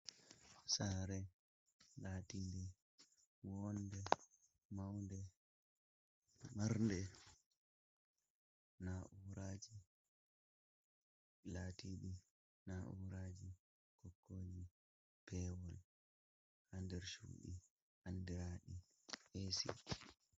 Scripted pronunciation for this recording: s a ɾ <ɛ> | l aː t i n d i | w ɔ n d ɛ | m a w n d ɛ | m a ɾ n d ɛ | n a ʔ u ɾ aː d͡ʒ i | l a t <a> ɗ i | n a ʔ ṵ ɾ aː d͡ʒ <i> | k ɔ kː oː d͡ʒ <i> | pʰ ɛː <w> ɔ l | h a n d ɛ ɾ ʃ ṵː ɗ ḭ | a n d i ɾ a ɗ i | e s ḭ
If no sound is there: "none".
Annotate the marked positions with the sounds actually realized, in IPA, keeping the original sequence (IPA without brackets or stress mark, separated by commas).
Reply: ɛ, i, i, i, w